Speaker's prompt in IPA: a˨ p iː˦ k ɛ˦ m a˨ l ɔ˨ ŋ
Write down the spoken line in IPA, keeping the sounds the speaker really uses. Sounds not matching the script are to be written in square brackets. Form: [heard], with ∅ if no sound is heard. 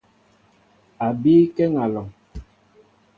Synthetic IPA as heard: a˨ [b] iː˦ k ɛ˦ [ŋ] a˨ l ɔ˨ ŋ